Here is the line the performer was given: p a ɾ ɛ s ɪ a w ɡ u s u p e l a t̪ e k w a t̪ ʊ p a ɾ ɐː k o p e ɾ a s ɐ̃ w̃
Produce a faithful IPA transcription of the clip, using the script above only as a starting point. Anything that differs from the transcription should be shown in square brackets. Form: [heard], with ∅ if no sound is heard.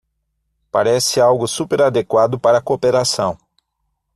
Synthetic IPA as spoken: p a ɾ ɛ s ɪ a w ɡ [ʊ] s u p e [ɾ] a [d̪] e k w a [d̪] ʊ p a ɾ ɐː k o p e ɾ a s ɐ̃ w̃